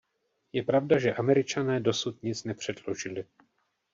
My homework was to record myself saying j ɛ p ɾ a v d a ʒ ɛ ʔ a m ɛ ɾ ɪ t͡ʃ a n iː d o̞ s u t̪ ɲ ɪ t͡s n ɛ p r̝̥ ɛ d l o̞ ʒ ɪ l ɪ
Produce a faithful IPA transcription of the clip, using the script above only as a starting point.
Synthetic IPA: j ɛ p ɾ a v d a ʒ ɛ ʔ a m ɛ ɾ ɪ t͡ʃ a n ɛː d o̞ s u t̪ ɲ ɪ t͡s n ɛ p r̝̥ ɛ d l o̞ ʒ ɪ l ɪ